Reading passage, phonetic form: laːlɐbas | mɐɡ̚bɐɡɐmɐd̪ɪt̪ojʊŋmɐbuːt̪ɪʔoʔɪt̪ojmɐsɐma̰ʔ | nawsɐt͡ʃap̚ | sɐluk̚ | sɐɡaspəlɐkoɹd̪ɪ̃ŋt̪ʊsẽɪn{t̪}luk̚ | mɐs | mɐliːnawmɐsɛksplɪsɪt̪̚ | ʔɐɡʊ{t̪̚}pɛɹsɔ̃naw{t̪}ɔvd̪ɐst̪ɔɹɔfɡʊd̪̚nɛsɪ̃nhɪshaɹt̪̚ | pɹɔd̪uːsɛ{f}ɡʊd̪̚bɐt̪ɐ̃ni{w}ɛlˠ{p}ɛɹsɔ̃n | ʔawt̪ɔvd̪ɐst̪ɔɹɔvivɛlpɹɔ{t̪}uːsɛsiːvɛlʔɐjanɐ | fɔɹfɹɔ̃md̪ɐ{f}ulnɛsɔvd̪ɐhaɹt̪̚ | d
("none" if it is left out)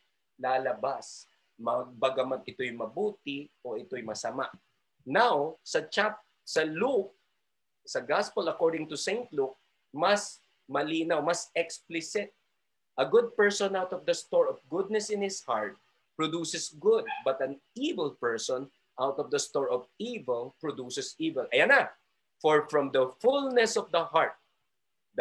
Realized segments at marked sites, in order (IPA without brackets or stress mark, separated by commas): t̪, d̪̚, t̪, s, v, p, d̪, f